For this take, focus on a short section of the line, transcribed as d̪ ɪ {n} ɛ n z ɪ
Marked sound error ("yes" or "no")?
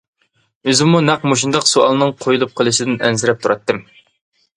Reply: no